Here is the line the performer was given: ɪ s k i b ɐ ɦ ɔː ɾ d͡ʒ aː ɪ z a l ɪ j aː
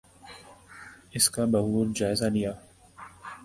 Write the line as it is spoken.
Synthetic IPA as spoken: ɪ s k a b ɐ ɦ uː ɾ d͡ʒ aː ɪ z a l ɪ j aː